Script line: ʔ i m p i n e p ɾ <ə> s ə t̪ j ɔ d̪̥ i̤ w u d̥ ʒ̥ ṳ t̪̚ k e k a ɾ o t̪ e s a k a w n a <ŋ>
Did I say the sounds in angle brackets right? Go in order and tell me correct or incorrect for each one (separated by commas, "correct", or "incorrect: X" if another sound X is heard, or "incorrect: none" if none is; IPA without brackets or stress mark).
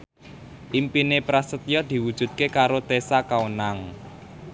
incorrect: a, correct